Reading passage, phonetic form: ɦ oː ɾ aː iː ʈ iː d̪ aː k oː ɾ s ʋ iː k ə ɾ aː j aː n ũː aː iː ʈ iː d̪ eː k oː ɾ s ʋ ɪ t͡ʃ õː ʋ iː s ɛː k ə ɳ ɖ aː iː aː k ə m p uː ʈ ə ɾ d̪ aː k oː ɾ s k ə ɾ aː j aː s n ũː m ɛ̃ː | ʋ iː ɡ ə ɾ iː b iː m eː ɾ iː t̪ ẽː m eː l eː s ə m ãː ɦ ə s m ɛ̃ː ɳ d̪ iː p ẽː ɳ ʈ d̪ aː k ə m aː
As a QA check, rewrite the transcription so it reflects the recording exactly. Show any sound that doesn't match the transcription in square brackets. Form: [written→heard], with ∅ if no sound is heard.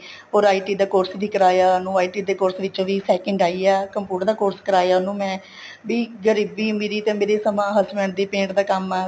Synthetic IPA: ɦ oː ɾ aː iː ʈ iː d̪ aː k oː ɾ s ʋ iː k ə ɾ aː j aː n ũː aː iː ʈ iː d̪ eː k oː ɾ s ʋ ɪ t͡ʃ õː ʋ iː s ɛː k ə ɳ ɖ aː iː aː k ə m p uː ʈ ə ɾ d̪ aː k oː ɾ s k ə ɾ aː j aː [s→∅] n ũː m ɛ̃ː | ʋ iː ɡ ə ɾ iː b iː m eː ɾ iː t̪ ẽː m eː [l→ɾ] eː s ə m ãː ɦ ə s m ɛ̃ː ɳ d̪ iː p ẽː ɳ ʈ d̪ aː k ə m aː